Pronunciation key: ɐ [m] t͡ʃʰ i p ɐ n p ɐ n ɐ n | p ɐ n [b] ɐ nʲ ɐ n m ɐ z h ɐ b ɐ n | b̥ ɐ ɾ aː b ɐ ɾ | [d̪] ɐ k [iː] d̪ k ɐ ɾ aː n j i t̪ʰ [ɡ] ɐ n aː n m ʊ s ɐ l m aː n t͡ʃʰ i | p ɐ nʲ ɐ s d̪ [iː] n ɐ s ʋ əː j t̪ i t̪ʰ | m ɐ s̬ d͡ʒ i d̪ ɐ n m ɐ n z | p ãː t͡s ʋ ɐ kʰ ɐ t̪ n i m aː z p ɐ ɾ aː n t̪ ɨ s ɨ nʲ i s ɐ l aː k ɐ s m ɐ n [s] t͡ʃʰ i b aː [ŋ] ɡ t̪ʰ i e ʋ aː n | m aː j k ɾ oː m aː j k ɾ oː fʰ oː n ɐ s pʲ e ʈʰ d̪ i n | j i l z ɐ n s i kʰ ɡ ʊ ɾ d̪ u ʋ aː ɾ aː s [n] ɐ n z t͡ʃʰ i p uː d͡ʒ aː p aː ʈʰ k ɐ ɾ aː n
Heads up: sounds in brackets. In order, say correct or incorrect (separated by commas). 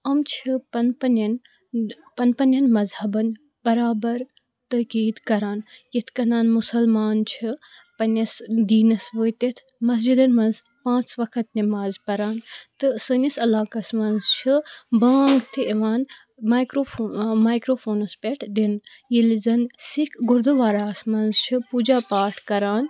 correct, incorrect, incorrect, correct, incorrect, correct, incorrect, correct, incorrect